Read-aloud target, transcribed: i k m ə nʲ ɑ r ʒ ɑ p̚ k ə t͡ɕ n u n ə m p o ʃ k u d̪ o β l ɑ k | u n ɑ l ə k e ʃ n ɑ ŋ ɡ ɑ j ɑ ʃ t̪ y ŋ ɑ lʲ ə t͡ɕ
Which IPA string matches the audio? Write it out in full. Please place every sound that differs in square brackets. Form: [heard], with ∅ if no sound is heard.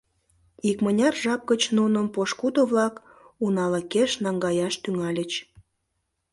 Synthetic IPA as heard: i k m ə nʲ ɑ r ʒ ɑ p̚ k ə t͡ɕ n u n ə m p o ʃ k u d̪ o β l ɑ k | u n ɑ l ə k e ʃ n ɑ ŋ ɡ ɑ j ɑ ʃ t̪ y ŋ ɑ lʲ ə t͡ɕ